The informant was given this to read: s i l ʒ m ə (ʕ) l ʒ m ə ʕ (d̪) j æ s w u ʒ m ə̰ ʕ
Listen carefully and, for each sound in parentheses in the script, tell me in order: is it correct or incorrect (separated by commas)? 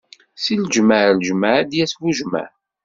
correct, correct